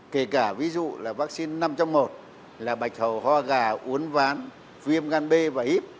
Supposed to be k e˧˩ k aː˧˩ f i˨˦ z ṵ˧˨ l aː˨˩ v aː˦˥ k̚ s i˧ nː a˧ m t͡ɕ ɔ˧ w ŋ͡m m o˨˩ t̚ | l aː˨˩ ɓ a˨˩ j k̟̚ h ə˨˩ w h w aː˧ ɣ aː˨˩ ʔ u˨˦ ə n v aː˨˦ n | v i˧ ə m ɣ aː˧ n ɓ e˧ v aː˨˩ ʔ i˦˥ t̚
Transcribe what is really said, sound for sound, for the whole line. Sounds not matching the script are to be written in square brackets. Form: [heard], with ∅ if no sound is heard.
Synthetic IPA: k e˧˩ k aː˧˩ [v] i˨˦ z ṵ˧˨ l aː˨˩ v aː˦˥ k̚ s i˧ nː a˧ m t͡ɕ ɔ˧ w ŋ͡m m o˨˩ t̚ | l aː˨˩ ɓ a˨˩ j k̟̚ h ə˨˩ w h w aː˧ ɣ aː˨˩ ʔ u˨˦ ə n v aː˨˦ n | v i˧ ə m ɣ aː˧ n ɓ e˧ v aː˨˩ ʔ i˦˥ [p̚]